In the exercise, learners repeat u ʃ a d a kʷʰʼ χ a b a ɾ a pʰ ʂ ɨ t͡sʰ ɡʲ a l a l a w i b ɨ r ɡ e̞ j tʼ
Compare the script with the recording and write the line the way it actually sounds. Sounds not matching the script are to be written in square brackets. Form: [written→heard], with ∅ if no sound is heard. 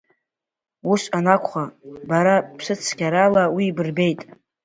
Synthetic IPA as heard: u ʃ a [d→n] a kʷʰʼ χ a b a ɾ a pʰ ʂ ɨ t͡sʰ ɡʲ a [l→ɾ] a l a w i b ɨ r [ɡ→b] e̞ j tʼ